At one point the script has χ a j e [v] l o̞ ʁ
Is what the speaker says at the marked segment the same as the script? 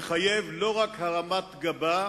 yes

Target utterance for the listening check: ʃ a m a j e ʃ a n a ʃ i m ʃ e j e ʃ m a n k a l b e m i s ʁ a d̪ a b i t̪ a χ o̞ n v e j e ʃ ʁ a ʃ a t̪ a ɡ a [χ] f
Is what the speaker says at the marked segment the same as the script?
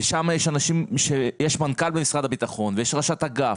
no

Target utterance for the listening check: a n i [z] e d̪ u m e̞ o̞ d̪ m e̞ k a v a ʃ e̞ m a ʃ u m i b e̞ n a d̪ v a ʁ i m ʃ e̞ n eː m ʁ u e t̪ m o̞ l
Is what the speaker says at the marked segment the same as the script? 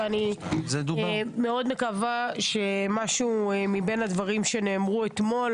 yes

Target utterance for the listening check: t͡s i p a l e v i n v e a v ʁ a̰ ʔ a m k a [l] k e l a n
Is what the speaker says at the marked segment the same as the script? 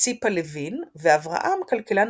yes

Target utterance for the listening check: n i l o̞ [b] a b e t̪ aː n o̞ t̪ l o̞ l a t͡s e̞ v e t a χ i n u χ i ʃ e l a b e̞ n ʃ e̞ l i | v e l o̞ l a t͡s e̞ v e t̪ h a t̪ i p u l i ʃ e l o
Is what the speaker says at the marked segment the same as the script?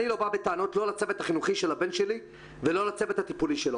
yes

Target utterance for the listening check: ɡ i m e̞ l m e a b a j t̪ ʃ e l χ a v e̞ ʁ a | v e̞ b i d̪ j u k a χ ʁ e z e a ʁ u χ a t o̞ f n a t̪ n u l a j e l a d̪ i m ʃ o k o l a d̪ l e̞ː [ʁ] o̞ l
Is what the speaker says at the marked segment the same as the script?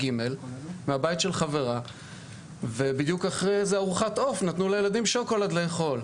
no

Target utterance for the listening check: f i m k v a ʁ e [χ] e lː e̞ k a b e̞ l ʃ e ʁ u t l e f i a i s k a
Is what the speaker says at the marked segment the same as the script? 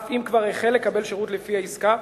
yes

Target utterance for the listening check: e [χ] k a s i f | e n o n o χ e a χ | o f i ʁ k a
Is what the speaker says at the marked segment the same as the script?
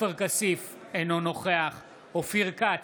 no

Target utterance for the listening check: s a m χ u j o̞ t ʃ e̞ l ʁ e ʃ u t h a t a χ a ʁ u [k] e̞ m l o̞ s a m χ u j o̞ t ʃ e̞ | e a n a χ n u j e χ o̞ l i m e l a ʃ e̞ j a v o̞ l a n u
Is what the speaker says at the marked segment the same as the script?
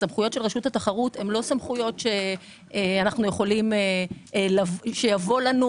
no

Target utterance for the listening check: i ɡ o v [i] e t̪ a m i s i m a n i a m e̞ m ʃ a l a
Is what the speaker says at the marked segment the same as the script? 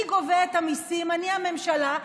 no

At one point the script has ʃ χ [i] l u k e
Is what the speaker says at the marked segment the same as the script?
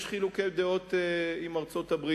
yes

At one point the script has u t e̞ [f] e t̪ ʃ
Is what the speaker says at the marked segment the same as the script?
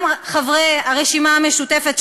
yes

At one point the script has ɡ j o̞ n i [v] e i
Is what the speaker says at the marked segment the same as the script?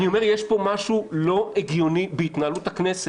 no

